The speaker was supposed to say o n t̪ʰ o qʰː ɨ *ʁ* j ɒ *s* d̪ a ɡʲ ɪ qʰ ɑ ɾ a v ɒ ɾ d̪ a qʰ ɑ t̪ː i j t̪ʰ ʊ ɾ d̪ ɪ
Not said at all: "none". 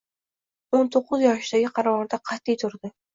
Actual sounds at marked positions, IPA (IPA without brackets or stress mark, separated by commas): z, ʃ